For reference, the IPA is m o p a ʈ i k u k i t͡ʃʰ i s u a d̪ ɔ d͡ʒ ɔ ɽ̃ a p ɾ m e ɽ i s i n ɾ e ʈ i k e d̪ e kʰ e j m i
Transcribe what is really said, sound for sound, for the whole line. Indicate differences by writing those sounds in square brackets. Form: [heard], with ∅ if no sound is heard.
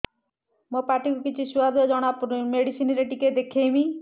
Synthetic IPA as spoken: m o p a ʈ i k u k i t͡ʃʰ i s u a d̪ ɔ d͡ʒ ɔ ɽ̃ a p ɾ m e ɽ i s i n ɾ e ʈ i k e d̪ e kʰ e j m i

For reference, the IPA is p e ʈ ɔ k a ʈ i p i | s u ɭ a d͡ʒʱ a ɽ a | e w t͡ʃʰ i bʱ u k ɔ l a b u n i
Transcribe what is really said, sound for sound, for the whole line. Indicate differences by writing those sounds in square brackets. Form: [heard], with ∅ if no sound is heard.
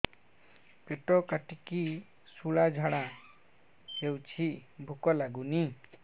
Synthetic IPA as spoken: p e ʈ ɔ k a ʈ i [k] i | s u ɭ a d͡ʒʱ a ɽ a | e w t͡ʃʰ i bʱ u k ɔ l a [ɡ] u n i

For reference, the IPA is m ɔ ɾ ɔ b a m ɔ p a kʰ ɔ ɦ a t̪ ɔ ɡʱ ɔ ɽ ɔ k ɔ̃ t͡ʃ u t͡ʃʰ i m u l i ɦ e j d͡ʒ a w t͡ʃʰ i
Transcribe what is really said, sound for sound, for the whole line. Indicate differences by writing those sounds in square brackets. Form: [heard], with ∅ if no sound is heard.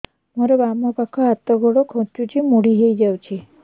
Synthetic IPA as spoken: m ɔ ɾ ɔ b a m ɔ p a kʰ ɔ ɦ a t̪ ɔ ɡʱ ɔ ɽ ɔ [kʰ] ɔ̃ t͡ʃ u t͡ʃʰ i m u [ɽ] i ɦ e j d͡ʒ a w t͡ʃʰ i

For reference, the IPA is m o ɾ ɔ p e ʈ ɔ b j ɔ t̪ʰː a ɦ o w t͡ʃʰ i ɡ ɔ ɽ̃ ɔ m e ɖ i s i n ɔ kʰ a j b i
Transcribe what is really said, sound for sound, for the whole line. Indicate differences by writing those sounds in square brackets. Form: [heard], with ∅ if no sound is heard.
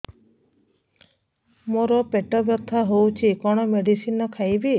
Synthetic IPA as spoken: m o ɾ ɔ p e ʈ ɔ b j ɔ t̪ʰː a ɦ o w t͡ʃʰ i [k] ɔ ɽ̃ ɔ m e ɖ i s i n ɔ kʰ a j b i

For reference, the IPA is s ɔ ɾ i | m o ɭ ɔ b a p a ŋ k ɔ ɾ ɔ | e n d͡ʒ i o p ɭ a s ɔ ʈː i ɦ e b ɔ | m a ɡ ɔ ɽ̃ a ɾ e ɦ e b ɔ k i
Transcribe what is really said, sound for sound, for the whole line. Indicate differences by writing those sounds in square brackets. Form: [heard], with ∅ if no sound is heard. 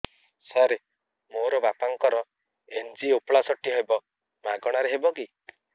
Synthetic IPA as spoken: s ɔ ɾ [e] | m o [ɾ] ɔ b a p a ŋ k ɔ ɾ ɔ | e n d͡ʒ i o p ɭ a s ɔ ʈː i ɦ e b ɔ | m a ɡ ɔ ɽ̃ a ɾ e ɦ e b ɔ k i

